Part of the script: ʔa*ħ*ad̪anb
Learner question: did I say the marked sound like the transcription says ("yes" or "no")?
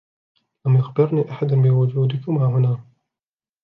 yes